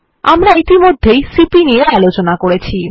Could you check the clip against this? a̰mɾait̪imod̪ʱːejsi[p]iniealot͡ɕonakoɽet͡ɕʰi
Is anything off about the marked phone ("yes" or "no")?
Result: no